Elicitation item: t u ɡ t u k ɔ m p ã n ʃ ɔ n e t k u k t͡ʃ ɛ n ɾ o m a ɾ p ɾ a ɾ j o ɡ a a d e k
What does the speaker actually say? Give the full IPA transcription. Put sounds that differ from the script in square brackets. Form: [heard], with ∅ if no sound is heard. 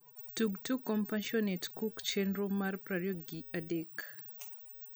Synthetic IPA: t u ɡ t u k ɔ m p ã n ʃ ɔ n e t k u k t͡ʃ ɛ n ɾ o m a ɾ p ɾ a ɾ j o ɡ [i] a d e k